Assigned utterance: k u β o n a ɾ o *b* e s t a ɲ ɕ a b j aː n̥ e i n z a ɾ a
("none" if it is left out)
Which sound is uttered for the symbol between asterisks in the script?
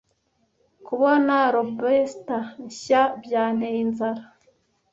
b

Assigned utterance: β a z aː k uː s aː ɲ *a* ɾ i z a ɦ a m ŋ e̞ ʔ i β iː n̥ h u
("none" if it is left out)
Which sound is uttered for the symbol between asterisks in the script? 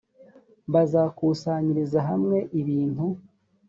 i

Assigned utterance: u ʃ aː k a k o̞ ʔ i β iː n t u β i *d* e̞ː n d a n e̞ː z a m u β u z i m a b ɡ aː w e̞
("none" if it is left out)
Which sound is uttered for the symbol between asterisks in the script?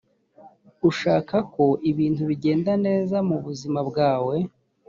ɟ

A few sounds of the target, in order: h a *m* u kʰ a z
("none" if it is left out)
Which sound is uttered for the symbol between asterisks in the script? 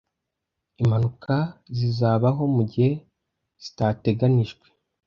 n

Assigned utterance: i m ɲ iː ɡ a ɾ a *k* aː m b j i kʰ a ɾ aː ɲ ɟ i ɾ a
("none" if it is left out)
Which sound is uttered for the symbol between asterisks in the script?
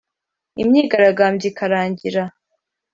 ɡ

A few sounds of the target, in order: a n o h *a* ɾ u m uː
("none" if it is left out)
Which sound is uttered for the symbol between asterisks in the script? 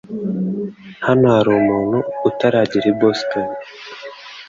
a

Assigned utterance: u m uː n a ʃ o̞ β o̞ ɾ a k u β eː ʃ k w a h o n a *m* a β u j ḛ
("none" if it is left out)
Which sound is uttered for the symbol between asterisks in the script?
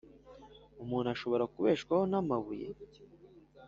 m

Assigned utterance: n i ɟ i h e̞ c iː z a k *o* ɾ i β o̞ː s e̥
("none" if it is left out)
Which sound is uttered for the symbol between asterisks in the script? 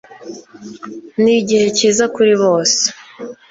u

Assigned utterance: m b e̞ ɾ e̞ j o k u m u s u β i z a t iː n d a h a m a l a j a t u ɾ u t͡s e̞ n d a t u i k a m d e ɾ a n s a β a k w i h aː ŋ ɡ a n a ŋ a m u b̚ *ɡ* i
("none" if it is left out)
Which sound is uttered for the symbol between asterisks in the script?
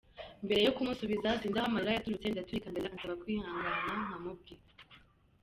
ɡ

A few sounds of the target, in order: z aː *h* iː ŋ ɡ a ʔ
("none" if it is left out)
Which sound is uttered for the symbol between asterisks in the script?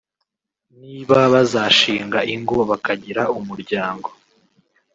ʃ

